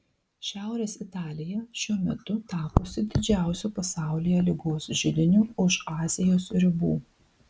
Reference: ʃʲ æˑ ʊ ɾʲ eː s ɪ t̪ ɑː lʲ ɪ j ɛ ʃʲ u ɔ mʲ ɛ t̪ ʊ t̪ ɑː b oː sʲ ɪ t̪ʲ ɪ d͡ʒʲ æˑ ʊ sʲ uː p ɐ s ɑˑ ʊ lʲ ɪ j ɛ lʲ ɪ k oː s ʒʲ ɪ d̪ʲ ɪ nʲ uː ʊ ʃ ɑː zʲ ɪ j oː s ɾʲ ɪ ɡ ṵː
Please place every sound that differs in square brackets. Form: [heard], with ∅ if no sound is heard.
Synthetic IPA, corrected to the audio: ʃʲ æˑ ʊ ɾʲ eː s ɪ t̪ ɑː lʲ ɪ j ɛ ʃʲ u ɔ mʲ ɛ t̪ ʊ t̪ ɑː [p] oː sʲ ɪ [d̪ʲ] ɪ d͡ʒʲ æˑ ʊ sʲ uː p ɐ s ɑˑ ʊ lʲ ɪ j ɛ lʲ ɪ [ɡ] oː s ʒʲ ɪ d̪ʲ ɪ nʲ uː ʊ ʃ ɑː zʲ ɪ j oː s ɾʲ ɪ [b] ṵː